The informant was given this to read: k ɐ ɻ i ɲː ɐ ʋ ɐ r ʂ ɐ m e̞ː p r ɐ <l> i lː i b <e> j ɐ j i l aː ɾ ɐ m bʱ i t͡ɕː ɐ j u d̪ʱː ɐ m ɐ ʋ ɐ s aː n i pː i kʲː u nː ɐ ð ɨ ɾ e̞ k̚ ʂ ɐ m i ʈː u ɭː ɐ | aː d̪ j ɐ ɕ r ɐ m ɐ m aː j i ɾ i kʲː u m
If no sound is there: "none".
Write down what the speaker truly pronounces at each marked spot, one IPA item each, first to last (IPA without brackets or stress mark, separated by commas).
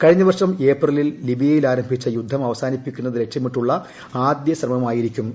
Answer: l, i